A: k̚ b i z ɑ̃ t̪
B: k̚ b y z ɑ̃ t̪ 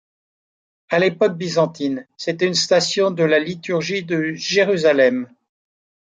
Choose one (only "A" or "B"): A